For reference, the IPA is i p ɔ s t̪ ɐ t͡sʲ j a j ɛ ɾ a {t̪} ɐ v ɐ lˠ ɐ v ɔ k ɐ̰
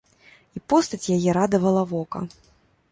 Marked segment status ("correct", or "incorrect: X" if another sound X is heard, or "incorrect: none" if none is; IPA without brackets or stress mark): incorrect: d̪